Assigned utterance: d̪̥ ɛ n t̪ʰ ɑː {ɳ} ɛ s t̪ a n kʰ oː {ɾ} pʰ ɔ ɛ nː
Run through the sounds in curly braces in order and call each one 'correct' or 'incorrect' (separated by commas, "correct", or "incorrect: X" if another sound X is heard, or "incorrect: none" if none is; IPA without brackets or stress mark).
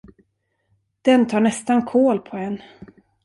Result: correct, incorrect: l